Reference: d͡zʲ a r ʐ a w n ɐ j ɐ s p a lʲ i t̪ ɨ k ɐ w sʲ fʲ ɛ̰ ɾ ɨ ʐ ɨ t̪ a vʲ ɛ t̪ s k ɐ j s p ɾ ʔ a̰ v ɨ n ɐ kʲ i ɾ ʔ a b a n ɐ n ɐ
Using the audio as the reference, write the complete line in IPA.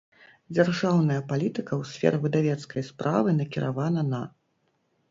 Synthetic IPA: d͡zʲ a r ʐ a w n ɐ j ɐ p a lʲ i t̪ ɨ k ɐ w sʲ fʲ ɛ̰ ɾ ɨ v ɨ d̪ a vʲ ɛ t̪ s k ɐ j s p ɾ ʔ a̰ v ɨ n ɐ kʲ i ɾ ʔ a v a n ɐ n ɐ